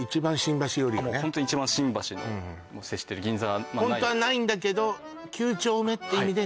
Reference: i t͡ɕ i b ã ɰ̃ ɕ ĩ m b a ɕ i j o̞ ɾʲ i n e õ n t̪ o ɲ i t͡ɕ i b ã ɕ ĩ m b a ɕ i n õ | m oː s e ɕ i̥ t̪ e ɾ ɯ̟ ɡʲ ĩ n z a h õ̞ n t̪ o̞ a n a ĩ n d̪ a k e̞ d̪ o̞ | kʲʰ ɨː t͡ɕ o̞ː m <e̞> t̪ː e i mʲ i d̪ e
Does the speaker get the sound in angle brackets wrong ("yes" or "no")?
no